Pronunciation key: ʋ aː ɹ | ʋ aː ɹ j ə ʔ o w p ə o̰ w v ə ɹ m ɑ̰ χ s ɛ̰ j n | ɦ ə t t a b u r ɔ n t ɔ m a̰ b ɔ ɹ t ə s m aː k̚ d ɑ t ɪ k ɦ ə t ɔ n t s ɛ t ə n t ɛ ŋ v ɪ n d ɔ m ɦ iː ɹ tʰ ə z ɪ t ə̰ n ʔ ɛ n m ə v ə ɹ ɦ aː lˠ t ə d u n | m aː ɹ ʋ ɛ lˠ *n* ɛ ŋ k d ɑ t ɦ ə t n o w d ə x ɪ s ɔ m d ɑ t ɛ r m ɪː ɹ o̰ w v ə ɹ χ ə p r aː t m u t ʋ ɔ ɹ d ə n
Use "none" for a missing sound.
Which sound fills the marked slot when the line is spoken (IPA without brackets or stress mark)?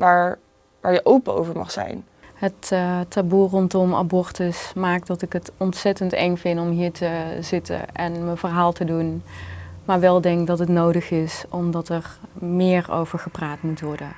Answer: d